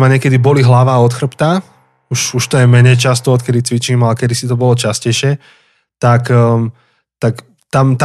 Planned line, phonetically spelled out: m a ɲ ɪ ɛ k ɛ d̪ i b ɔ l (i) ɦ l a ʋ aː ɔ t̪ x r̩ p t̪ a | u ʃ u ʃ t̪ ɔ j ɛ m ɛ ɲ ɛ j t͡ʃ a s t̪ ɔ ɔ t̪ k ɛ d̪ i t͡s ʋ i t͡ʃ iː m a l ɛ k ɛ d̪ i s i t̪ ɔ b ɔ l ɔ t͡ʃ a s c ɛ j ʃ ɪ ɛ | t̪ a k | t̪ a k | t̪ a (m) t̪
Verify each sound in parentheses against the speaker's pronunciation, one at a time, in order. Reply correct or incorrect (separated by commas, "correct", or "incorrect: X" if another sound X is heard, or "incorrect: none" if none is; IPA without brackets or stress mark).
correct, correct